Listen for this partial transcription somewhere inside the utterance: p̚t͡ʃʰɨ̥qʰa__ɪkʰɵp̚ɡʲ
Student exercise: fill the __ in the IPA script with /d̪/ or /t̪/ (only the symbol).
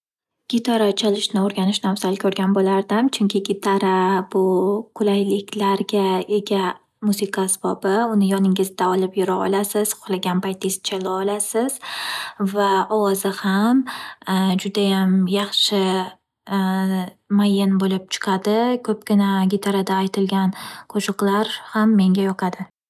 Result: d̪